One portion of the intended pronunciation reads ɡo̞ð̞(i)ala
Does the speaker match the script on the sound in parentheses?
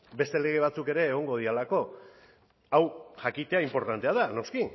yes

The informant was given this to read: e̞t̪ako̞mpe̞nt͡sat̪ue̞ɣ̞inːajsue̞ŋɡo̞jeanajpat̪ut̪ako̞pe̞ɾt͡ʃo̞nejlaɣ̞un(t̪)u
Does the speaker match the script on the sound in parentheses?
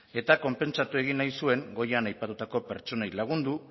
no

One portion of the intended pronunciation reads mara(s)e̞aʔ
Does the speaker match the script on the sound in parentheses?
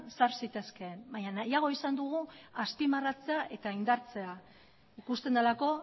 no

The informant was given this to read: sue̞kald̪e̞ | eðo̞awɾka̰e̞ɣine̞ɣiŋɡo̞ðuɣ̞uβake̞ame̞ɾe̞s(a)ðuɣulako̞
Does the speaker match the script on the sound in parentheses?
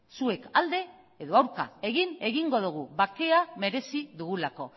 no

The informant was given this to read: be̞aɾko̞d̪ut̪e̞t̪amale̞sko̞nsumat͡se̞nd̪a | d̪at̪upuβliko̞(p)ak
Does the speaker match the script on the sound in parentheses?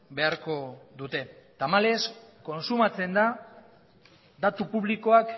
no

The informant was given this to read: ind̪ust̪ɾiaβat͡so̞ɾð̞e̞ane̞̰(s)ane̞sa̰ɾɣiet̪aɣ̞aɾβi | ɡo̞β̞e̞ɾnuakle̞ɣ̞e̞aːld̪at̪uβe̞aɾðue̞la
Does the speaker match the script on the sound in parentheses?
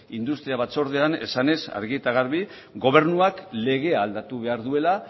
yes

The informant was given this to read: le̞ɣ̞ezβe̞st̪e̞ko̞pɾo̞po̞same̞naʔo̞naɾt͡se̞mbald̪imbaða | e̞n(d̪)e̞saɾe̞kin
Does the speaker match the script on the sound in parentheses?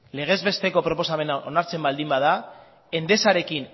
yes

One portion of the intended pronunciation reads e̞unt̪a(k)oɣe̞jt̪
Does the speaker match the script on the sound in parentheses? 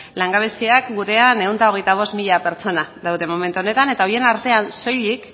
no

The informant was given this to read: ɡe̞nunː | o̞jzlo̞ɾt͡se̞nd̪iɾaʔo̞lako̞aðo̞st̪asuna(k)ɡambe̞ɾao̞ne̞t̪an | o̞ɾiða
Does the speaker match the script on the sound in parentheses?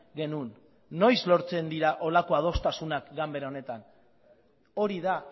yes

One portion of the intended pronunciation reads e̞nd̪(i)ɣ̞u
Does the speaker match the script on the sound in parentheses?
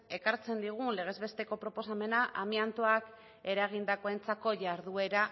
yes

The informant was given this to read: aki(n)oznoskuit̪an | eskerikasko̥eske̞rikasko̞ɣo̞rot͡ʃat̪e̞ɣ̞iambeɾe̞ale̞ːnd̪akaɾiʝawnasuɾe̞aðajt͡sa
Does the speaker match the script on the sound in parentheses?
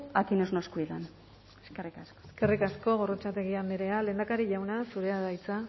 yes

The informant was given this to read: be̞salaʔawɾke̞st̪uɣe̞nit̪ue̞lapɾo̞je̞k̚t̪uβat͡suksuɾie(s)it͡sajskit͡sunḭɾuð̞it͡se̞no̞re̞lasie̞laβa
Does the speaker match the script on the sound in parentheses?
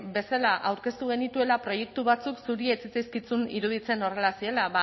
no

